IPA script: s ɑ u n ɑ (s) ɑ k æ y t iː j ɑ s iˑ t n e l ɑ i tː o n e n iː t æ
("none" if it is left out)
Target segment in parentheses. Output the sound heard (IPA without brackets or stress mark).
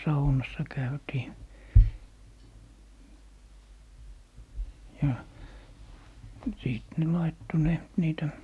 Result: sː